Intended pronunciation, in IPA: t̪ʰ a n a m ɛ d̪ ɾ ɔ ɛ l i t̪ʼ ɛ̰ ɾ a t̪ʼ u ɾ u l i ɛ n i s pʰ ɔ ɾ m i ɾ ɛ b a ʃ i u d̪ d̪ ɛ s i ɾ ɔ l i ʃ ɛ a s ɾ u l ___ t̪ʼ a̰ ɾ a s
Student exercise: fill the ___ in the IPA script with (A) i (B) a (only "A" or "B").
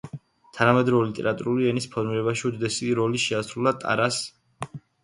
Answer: B